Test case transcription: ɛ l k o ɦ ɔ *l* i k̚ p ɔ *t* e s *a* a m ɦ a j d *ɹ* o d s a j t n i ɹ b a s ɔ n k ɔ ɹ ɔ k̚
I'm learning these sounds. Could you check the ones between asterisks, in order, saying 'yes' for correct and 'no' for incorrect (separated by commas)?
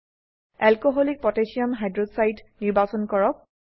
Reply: yes, yes, no, yes